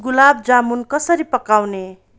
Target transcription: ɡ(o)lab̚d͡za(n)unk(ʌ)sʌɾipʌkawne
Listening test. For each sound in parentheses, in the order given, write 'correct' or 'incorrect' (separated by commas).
incorrect, incorrect, correct